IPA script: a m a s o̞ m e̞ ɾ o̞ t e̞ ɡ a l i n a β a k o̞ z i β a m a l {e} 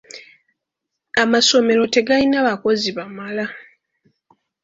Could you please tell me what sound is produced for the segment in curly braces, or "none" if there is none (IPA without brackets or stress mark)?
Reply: a